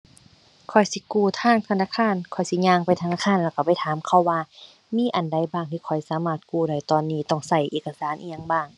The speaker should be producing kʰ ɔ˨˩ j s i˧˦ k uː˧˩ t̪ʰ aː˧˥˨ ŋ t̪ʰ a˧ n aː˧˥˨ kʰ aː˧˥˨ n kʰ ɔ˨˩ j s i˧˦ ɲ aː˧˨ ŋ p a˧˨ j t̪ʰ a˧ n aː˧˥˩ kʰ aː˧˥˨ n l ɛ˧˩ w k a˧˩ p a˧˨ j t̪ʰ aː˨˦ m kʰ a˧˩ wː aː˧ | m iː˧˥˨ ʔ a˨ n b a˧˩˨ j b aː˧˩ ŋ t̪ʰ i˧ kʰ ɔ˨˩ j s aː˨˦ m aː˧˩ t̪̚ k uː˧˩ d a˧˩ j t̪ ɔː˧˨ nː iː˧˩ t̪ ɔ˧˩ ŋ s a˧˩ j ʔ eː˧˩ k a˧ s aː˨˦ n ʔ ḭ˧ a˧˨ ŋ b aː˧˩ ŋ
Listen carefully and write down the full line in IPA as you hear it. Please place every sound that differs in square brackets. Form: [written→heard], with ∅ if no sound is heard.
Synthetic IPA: kʰ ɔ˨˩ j s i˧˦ k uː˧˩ t̪ʰ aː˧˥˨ ŋ t̪ʰ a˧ n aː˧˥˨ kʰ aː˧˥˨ n kʰ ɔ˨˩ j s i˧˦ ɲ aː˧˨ ŋ p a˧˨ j t̪ʰ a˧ n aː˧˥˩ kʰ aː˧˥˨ n l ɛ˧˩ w k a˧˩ p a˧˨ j t̪ʰ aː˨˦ m kʰ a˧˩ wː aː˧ | m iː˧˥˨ ʔ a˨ n [b→d] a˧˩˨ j b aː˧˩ ŋ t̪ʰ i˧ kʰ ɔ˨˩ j s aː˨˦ m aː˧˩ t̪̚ k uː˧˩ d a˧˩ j t̪ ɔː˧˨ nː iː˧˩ t̪ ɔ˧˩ ŋ s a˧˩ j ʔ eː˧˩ k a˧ s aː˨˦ n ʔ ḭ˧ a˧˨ ŋ b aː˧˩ ŋ

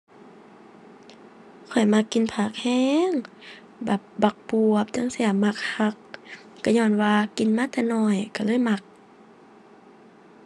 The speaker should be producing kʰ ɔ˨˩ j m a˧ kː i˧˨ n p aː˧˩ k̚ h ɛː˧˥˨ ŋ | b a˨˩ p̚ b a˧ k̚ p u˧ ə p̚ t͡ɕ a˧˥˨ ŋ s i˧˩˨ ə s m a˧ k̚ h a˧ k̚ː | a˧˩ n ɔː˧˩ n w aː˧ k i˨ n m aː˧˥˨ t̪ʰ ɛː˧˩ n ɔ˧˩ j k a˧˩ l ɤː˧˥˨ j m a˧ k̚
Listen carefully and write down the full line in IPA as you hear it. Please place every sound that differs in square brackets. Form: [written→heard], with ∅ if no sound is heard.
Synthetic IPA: kʰ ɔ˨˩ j m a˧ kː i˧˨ n [p→pʰ] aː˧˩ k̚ h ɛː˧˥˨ ŋ | b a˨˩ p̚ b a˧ k̚ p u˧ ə p̚ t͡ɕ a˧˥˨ ŋ s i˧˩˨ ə [s→∅] m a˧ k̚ h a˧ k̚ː | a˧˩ [n→ɲ] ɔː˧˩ n w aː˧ k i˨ n m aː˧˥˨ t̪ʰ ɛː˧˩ n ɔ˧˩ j k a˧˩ l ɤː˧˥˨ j m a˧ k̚

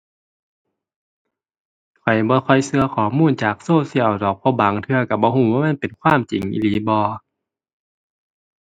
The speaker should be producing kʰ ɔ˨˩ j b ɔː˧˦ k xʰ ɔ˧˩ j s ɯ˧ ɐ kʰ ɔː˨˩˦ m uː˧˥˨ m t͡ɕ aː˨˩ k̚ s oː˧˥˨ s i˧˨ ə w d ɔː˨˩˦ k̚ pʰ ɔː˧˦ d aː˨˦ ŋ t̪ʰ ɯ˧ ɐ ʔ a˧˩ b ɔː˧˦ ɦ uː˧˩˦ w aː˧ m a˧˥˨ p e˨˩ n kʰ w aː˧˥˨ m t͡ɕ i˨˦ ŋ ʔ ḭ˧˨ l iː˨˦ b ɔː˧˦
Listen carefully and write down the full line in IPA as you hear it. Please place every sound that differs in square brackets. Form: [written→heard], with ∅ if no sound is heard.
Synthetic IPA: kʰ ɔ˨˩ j b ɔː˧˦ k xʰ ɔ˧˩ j s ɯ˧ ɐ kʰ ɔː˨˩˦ m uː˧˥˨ [m→n] t͡ɕ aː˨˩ k̚ s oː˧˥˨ s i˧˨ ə w d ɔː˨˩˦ k̚ pʰ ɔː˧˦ [d→b] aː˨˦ ŋ t̪ʰ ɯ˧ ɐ [ʔ→k] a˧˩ b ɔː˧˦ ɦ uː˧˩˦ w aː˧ m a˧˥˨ p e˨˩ n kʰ w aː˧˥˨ m t͡ɕ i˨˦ ŋ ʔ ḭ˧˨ l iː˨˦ b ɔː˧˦

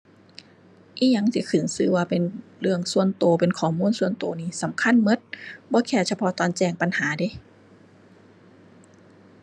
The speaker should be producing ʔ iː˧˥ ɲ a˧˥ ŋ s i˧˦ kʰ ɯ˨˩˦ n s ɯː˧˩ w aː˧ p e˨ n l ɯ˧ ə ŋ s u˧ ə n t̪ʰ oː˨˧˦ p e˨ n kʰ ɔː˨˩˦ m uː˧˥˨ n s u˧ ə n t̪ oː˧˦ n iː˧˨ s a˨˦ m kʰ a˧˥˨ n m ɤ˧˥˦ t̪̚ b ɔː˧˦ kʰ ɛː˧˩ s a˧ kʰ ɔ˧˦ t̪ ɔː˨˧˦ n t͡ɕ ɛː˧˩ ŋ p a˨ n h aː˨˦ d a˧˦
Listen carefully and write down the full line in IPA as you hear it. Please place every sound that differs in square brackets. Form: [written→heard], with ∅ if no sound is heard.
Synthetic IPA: ʔ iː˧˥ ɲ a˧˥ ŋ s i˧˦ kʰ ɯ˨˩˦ n s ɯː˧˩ w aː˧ p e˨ n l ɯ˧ ə ŋ s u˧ ə n [t̪ʰ→t̪] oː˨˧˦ p e˨ n kʰ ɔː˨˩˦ m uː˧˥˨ n s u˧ ə n t̪ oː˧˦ n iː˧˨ s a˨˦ m kʰ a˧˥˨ n m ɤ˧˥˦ t̪̚ b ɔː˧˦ kʰ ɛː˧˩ s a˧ [kʰ→pʰ] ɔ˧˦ t̪ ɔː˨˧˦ n t͡ɕ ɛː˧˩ ŋ p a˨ n h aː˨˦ d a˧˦

